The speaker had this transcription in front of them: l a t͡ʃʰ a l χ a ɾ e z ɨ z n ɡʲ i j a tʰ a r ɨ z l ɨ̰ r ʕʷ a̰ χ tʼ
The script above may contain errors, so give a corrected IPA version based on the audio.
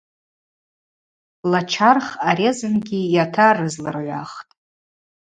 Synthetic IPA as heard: l a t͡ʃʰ a r χ a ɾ e z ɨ n ɡʲ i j a tʰ a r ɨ z l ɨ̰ r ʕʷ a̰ χ tʼ